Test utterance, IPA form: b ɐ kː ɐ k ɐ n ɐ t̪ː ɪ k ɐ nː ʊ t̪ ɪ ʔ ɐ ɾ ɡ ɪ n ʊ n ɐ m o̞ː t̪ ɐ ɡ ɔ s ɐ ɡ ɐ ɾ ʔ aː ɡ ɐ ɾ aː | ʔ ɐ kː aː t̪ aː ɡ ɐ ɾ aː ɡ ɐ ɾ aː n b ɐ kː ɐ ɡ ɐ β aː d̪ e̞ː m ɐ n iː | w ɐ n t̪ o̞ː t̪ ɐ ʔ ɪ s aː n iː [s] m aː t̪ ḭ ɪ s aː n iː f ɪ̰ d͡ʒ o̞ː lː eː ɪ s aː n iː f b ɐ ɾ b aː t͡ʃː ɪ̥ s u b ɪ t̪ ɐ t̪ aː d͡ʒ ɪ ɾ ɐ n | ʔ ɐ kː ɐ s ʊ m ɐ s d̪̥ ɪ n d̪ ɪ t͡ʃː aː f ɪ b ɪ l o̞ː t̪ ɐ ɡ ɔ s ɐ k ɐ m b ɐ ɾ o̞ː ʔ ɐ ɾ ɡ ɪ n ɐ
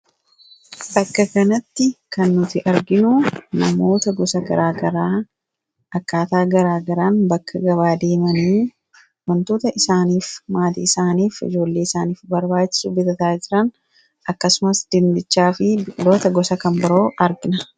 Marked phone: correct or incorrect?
incorrect